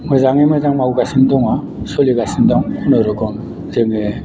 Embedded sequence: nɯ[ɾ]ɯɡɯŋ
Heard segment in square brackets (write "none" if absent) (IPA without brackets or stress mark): ɾ